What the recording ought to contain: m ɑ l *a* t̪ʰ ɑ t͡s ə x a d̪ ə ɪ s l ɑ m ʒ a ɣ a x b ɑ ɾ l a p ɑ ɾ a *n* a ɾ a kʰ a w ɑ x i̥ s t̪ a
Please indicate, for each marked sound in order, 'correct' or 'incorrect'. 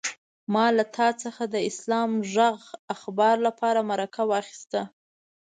correct, incorrect

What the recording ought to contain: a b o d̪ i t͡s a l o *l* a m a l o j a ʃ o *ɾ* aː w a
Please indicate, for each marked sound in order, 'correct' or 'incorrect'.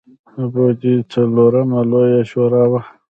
incorrect, correct

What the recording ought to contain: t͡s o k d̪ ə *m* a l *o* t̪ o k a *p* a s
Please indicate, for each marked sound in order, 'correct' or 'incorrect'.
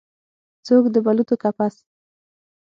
incorrect, incorrect, correct

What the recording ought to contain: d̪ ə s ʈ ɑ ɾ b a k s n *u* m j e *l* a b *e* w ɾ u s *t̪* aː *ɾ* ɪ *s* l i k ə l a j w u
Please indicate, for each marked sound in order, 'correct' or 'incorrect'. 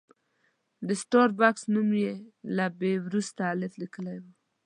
correct, correct, correct, correct, incorrect, incorrect

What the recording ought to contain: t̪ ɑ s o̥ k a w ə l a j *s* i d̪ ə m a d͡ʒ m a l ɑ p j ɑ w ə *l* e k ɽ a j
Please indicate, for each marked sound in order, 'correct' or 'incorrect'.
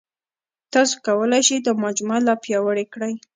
incorrect, incorrect

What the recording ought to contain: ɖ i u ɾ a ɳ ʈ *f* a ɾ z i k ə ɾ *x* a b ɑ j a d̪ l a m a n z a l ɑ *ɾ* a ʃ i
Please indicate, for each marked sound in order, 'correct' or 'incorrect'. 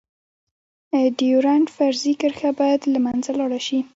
correct, correct, incorrect

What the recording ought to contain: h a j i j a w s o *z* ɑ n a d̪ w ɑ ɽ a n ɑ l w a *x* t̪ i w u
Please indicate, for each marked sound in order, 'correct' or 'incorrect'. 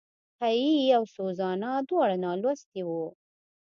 correct, incorrect

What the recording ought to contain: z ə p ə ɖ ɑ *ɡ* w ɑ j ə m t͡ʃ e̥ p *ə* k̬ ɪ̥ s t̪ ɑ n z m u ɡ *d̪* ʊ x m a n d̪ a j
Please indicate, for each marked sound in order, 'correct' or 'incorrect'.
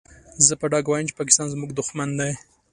correct, incorrect, correct

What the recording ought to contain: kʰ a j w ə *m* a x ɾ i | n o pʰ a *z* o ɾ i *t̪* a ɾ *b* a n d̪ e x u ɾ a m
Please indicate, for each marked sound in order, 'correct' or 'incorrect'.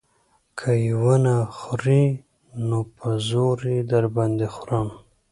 incorrect, correct, incorrect, correct

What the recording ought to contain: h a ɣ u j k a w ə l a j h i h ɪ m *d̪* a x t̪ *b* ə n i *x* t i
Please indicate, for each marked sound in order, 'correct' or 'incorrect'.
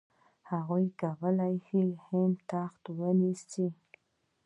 incorrect, incorrect, incorrect

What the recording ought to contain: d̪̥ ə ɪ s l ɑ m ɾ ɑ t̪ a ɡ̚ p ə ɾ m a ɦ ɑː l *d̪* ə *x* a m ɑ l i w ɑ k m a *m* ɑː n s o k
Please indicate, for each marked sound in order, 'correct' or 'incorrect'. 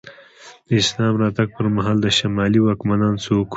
correct, incorrect, incorrect

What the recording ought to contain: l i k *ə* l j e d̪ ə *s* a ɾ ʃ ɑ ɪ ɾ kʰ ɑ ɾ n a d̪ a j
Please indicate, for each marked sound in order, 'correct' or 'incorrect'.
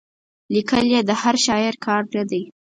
correct, incorrect

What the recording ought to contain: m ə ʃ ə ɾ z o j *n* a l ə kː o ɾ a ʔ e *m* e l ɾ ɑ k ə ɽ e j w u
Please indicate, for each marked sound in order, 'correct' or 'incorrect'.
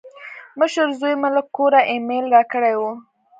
incorrect, correct

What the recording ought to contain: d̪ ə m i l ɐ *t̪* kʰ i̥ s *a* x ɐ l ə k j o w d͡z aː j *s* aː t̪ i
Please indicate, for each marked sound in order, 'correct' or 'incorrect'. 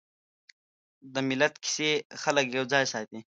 correct, incorrect, correct

